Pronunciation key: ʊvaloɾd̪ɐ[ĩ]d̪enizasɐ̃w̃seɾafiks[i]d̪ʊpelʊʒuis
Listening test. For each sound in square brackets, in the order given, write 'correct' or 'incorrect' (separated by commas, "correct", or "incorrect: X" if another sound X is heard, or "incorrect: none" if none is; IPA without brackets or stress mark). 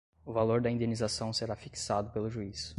correct, incorrect: a